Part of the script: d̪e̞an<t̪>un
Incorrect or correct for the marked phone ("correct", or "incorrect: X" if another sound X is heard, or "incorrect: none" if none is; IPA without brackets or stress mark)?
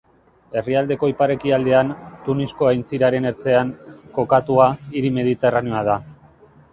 correct